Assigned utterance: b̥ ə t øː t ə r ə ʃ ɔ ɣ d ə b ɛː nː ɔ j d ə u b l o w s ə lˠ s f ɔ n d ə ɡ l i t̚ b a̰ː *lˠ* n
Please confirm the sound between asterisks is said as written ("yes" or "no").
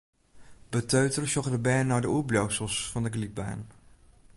no